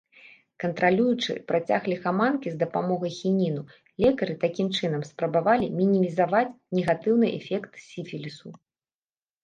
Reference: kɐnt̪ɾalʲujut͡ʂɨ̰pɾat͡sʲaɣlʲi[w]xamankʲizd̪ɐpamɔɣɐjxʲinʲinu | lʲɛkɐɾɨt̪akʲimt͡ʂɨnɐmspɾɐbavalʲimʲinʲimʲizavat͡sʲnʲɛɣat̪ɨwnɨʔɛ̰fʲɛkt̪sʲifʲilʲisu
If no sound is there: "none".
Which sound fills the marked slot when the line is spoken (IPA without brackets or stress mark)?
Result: none